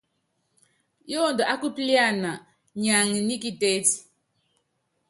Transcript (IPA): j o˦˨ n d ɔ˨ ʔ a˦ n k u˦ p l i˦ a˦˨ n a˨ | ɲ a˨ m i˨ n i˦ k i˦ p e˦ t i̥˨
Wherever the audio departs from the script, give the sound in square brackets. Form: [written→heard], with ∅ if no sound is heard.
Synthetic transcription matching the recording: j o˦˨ n d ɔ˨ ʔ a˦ [n→∅] k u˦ p l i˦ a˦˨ n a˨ | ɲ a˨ [m→ŋ] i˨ n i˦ k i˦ [p→t] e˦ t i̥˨